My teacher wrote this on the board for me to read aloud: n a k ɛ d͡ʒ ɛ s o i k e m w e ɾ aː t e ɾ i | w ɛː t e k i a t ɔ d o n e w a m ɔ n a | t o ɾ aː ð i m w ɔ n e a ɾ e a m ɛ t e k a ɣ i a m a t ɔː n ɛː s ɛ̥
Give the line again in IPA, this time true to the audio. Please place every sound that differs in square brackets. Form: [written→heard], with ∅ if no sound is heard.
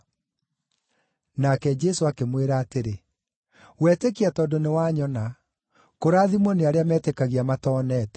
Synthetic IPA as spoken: n a k ɛ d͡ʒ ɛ s o [i→a] k e m w e ɾ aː t e ɾ [i→e] | w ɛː t e k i a t ɔ d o n e w a [m→ɲ] ɔ n a | [t→k] o ɾ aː ð i m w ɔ n e a ɾ e a m ɛ t e k a ɣ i a m a t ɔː n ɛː [s→t] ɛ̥